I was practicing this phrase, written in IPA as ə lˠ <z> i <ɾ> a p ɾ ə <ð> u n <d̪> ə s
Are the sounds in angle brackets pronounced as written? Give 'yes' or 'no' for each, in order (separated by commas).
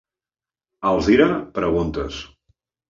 yes, yes, no, no